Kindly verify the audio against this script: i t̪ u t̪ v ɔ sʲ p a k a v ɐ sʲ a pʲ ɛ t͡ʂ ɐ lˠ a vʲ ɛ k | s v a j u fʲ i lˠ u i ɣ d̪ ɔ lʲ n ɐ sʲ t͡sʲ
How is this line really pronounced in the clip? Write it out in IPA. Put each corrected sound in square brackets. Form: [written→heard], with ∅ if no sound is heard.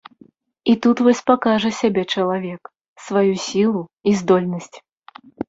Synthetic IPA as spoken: i t̪ u t̪ v ɔ sʲ p a k a [v→ʐ] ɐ sʲ a [pʲ→bʲ] ɛ t͡ʂ ɐ lˠ a vʲ ɛ k | s v a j u [fʲ→sʲ] i lˠ u i [ɣ→z] d̪ ɔ lʲ n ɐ sʲ t͡sʲ